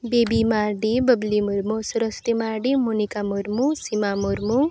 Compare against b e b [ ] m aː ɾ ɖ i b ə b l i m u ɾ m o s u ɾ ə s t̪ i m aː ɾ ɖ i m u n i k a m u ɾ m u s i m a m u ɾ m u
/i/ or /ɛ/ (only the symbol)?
i